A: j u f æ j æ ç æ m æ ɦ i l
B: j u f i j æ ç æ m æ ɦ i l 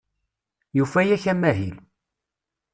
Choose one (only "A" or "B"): A